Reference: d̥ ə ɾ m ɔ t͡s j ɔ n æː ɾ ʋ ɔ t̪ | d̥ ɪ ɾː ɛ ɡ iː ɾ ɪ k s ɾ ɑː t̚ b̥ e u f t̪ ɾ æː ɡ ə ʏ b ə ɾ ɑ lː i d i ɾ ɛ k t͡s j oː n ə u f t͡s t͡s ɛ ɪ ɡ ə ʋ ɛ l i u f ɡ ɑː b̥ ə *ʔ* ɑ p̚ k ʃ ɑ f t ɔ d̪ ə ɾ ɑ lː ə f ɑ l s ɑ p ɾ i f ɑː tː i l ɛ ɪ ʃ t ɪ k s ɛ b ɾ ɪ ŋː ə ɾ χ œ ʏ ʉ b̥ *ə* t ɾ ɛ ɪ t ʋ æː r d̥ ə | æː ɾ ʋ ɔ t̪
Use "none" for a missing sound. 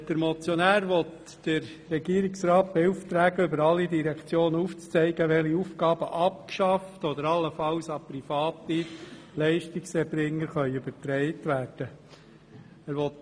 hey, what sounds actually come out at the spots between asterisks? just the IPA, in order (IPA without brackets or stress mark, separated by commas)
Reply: ʔ, ə